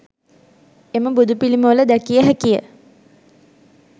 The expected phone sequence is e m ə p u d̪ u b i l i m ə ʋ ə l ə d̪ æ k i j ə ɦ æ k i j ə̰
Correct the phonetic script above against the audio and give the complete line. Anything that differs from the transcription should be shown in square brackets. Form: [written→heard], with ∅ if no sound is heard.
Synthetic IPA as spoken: e m ə [p→b] u d̪ u [b→p] i l i m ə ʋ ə l ə d̪ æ k i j ə ɦ æ k i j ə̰